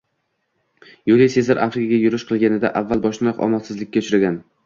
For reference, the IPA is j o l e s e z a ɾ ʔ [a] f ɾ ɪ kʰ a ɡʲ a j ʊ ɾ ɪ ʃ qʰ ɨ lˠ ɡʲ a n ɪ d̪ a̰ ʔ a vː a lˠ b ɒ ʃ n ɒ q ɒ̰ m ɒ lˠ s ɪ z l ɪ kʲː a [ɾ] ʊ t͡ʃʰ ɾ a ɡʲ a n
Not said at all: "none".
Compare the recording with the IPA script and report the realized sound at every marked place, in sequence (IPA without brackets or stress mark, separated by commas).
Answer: a, none